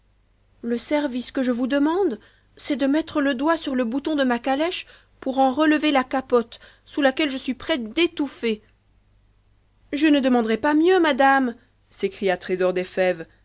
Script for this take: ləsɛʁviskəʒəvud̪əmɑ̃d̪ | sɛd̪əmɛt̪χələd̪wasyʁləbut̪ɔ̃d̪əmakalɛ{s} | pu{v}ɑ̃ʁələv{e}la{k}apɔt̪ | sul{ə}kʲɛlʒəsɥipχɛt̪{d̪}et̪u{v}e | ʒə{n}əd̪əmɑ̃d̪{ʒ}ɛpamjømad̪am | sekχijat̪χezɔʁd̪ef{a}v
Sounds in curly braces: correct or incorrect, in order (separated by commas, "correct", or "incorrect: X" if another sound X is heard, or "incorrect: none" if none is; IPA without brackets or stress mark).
incorrect: ʃ, incorrect: ʁ, correct, correct, incorrect: a, correct, incorrect: f, correct, incorrect: ʁ, incorrect: ɛ